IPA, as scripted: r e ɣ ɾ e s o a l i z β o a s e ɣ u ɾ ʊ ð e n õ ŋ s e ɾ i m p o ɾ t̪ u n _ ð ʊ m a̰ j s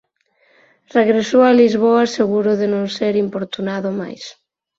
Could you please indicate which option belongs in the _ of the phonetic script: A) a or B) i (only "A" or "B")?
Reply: A